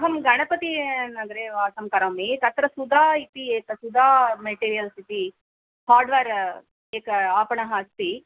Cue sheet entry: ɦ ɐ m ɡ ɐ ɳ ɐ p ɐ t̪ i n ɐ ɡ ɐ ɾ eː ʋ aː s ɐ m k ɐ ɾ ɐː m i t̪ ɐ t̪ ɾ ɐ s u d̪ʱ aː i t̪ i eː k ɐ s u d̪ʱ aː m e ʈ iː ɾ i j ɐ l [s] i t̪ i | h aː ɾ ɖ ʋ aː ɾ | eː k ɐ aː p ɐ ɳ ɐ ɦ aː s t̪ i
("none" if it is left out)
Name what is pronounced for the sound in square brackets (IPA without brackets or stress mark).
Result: s